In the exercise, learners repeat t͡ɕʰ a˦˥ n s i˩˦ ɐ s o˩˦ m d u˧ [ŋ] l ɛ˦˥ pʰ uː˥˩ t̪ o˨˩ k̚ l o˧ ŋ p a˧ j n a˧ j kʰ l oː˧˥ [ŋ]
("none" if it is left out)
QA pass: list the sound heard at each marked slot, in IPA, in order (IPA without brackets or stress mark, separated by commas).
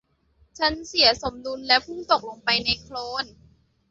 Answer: n, n